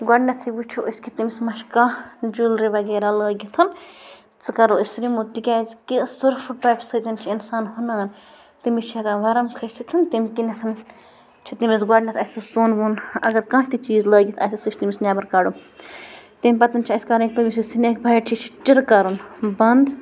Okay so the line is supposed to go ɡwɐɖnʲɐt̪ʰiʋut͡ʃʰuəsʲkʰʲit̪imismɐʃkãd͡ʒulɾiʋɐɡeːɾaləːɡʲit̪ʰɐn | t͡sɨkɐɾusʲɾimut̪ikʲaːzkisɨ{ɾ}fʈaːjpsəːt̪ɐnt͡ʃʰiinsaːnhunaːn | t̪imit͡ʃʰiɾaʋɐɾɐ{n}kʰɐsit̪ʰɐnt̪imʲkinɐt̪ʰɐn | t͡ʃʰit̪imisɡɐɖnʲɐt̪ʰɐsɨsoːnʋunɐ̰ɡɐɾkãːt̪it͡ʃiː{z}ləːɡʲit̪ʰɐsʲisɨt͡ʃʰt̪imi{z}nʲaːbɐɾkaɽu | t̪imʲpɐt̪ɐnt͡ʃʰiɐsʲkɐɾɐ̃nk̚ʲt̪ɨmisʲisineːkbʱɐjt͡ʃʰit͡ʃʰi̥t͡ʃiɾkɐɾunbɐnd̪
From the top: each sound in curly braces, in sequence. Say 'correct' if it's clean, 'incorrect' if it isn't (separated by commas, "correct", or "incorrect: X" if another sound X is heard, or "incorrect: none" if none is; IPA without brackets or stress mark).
correct, incorrect: m, correct, incorrect: s